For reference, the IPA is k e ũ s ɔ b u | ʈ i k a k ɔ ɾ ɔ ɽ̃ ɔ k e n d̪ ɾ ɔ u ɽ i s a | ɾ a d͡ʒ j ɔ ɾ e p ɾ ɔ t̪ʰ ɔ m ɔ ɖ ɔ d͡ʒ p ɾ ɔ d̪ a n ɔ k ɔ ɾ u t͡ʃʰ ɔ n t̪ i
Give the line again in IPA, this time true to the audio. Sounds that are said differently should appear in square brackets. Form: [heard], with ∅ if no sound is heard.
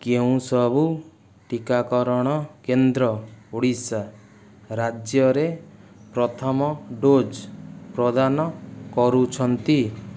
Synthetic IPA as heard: k e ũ s ɔ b u | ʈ i k a k ɔ ɾ ɔ ɽ̃ ɔ k e n d̪ ɾ ɔ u ɽ i s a | ɾ a d͡ʒ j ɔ ɾ e p ɾ ɔ t̪ʰ ɔ m ɔ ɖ [o] d͡ʒ p ɾ ɔ d̪ a n ɔ k ɔ ɾ u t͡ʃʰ ɔ n t̪ i